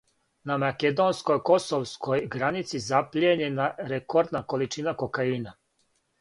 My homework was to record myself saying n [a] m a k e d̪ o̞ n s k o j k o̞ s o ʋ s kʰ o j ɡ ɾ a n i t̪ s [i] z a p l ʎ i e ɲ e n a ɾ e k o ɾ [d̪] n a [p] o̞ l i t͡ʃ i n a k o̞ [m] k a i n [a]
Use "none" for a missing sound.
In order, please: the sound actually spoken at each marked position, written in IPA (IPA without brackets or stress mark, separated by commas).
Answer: a, i, d̪, k, none, a